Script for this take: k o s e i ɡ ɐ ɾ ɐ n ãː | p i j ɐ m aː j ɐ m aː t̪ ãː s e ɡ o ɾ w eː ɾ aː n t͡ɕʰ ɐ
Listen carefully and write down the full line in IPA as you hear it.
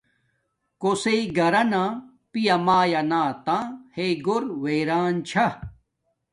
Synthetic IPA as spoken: k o s e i ɡ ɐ ɾ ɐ n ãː | p i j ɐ m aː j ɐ n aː t̪ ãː h e ɡ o ɾ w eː ɾ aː n t͡ɕʰ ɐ